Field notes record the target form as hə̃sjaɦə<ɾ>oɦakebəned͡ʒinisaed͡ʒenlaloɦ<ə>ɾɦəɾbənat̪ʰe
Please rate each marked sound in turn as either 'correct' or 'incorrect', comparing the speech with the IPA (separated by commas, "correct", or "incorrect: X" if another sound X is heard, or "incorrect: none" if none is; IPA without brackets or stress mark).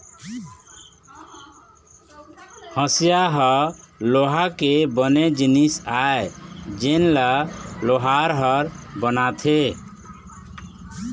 incorrect: l, incorrect: a